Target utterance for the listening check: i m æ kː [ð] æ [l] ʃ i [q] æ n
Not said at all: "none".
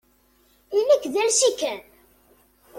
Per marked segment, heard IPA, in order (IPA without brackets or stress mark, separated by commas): ð, l, k